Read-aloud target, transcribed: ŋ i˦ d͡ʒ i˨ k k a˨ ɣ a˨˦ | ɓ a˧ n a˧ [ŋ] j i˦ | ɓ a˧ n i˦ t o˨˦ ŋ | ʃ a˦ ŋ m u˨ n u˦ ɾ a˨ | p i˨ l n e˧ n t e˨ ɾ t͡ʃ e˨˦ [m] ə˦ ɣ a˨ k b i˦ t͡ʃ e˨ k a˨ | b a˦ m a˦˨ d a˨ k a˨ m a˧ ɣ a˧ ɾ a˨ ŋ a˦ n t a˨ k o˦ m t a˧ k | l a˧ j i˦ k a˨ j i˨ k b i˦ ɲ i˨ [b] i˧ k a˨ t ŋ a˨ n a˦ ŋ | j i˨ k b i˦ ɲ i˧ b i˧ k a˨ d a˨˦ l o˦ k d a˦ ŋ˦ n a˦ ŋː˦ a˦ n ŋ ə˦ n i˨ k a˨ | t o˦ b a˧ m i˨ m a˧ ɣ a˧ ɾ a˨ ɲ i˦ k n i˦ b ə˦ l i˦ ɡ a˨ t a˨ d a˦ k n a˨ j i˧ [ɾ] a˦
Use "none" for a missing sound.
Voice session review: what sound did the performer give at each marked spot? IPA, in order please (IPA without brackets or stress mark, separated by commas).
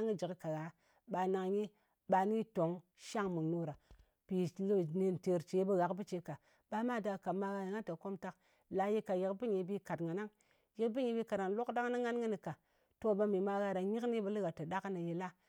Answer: ŋ, b, b, l